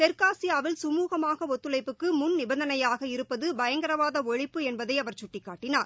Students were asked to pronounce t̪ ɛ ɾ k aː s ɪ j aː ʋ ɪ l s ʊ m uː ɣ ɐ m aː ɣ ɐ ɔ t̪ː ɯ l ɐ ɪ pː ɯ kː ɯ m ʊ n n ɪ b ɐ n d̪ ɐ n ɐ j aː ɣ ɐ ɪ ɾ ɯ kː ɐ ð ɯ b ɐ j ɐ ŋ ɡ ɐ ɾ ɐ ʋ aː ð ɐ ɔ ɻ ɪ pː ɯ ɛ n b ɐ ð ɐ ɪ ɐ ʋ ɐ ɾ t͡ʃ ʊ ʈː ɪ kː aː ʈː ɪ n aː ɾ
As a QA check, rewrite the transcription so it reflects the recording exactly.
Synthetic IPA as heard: t̪ ɛ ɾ k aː s ɪ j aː ʋ ɪ l s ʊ m uː ɣ ɐ m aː ɣ ɐ ɔ t̪ː ɯ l ɐ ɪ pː ɯ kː ɯ m ʊ n n ɪ b ɐ n d̪ ɐ n ɐ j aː ɣ ɐ ɪ ɾ ɯ pː ɐ ð ɯ b ɐ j ɐ ŋ ɡ ɐ ɾ ɐ ʋ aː ð ɐ ɔ ɻ ɪ pː ɯ ɛ n b ɐ ð ɐ ɪ ɐ ʋ ɐ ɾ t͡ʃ ʊ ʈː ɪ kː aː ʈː ɪ n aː ɾ